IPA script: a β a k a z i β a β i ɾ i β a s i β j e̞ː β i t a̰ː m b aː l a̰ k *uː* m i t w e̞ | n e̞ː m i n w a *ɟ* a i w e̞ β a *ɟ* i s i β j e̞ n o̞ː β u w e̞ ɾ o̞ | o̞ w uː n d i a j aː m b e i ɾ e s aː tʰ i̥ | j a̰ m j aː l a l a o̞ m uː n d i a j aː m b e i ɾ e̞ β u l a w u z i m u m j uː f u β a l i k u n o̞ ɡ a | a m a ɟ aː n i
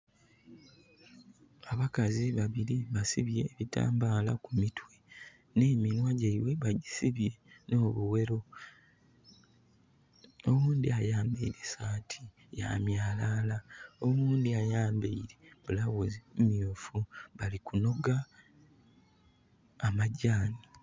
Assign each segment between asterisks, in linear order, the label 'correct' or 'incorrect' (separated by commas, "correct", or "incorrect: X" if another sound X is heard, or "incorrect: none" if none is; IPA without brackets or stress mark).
incorrect: u, correct, correct